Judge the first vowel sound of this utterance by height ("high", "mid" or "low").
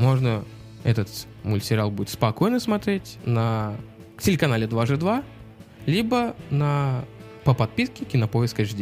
mid